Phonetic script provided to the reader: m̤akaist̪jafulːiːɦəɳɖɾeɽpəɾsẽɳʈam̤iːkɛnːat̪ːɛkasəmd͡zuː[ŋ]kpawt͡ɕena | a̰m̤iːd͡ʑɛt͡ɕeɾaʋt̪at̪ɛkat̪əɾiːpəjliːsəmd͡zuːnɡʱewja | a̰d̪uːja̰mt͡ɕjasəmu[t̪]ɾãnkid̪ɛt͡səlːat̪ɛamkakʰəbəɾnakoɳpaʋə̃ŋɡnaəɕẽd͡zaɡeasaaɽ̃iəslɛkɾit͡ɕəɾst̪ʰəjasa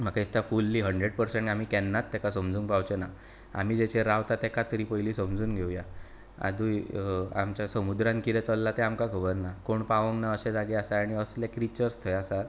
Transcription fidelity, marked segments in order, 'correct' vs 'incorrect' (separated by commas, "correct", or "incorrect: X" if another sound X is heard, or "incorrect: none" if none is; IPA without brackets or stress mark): correct, incorrect: d̪